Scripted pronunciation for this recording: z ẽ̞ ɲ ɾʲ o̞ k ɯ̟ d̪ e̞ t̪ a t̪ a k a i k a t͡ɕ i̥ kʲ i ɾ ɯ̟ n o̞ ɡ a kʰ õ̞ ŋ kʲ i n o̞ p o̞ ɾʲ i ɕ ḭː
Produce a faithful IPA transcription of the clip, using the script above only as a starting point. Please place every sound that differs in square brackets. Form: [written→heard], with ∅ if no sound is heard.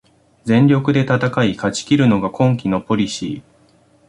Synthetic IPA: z ẽ̞ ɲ ɾʲ o̞ k ɯ̟ d̪ e̞ t̪ a t̪ a k a i k a t͡ɕ i̥ kʲ i ɾ ɯ̟ n o̞ ɡ a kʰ õ̞ ŋ kʲ i n o̞ p o̞ ɾʲ i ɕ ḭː